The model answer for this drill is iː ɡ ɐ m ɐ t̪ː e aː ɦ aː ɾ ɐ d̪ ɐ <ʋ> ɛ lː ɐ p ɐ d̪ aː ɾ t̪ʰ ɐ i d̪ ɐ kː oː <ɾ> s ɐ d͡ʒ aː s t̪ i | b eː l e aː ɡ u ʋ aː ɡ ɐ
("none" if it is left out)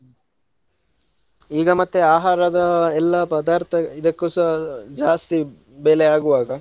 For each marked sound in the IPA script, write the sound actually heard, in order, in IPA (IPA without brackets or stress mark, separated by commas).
none, none